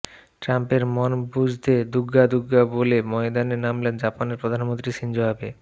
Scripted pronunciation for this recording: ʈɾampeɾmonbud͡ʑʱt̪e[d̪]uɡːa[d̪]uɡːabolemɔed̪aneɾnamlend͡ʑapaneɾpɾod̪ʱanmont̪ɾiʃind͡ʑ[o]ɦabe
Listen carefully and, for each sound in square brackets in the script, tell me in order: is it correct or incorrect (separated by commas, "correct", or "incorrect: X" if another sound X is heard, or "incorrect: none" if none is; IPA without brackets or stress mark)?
correct, correct, correct